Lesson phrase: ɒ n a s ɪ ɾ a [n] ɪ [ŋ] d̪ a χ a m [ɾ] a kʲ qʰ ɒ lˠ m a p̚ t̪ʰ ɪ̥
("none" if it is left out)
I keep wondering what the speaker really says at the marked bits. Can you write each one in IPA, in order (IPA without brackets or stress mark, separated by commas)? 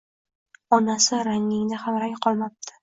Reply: ŋ, ŋ, ɾ